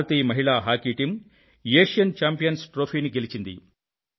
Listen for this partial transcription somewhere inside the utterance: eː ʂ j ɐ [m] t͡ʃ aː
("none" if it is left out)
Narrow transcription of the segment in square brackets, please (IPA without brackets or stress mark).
n